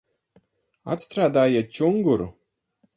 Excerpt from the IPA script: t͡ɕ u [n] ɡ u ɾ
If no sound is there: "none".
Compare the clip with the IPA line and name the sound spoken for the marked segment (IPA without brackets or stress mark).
ŋ